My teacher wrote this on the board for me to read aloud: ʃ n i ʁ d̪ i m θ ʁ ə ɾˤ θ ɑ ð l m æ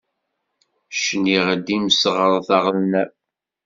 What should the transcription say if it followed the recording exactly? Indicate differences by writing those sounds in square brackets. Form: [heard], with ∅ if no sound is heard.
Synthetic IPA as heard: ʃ n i ʁ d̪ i m [s] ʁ ə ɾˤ θ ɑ [ʁ] l [n] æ